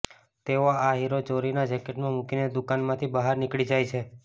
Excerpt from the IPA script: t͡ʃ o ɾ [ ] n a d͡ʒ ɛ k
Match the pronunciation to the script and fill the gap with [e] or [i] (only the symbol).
i